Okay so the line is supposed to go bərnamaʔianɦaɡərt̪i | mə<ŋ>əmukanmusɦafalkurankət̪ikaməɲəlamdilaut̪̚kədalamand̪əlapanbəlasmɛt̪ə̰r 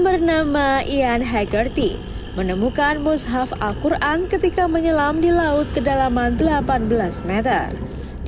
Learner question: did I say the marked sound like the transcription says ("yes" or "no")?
no